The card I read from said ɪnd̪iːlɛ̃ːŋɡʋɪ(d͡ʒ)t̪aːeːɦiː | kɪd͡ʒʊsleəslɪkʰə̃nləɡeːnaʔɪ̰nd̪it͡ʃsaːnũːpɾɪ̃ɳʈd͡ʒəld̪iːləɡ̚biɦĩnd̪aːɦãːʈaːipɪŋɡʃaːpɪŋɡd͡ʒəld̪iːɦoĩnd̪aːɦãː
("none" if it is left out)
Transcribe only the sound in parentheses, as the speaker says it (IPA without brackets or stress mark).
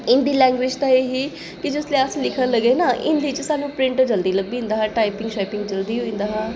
d͡ʒ